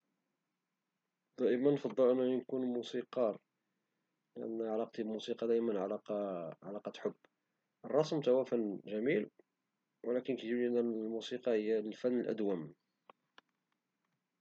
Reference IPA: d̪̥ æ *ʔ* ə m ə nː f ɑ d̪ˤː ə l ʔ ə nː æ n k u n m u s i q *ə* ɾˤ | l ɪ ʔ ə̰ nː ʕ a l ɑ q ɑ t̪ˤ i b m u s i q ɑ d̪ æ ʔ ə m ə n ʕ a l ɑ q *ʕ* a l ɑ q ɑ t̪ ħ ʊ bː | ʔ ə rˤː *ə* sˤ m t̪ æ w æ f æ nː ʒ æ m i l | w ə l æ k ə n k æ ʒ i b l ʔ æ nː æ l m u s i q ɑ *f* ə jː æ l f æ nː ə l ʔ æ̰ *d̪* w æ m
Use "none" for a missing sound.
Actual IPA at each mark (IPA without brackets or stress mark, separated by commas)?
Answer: ʔ, ɑ, ʕ, ɑ, h, d̪